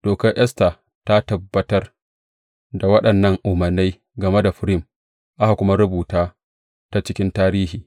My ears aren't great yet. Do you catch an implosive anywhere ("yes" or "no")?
yes